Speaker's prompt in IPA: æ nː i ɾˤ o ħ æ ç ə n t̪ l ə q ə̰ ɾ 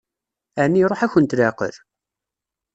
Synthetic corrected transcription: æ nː i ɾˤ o ħ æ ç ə n t̪ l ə q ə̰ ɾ